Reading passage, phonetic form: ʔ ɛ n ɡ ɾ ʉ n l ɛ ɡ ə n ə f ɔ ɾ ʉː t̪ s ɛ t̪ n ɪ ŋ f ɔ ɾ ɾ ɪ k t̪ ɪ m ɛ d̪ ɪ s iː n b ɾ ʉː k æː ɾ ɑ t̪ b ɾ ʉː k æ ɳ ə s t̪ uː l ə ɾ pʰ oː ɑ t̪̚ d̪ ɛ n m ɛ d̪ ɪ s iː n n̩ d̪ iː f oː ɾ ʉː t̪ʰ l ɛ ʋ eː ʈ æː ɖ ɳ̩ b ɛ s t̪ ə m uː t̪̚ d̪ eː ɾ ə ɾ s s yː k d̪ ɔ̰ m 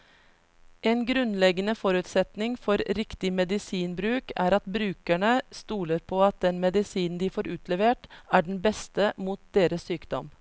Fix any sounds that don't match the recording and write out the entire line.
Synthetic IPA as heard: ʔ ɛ n ɡ ɾ ʉ n l ɛ ɡ ə n ə f ɔ ɾ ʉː t̪ s ɛ t̪ n ɪ ŋ f ɔ ɾ ɾ ɪ k t̪ ɪ m ɛ d̪ ɪ s iː n b ɾ ʉː k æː ɾ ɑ t̪ b ɾ ʉː k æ ɳ ə s t̪ uː l ə ɾ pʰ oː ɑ t̪̚ d̪ ɛ n m ɛ d̪ ɪ s iː n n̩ d̪ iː f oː ɾ ʉː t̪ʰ l ɛ ʋ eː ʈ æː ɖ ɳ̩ b ɛ s t̪ ə m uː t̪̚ d̪ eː ɾ ə s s yː k d̪ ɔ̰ m